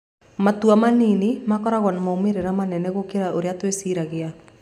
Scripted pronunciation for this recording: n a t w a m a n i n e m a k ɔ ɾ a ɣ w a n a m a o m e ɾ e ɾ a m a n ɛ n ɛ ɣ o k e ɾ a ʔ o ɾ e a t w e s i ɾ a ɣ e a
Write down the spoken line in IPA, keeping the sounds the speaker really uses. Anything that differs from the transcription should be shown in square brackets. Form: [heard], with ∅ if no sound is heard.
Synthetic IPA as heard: [m] a t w a m a n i n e m a k ɔ ɾ a ɣ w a n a m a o m e ɾ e ɾ a m a n ɛ n ɛ ɣ o k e ɾ a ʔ o ɾ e a t w e s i ɾ a ɣ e a